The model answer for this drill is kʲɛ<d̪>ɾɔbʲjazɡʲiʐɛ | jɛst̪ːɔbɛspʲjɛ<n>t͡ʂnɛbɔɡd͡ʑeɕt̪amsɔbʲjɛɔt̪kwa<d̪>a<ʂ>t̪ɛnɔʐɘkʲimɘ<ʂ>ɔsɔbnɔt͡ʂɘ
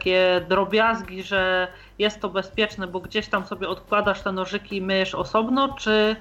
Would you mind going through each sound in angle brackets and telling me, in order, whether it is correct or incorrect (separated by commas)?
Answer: correct, incorrect, correct, correct, correct